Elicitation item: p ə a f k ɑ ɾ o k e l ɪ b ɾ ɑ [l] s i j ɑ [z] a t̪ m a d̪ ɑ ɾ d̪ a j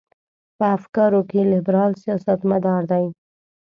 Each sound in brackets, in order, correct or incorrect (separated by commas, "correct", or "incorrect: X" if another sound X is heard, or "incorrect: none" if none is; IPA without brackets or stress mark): correct, incorrect: s